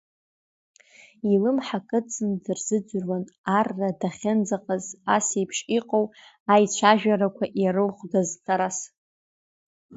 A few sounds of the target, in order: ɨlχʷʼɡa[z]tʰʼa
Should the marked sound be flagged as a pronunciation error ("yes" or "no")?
no